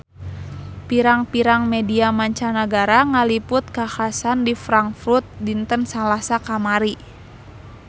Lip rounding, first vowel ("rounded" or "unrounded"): unrounded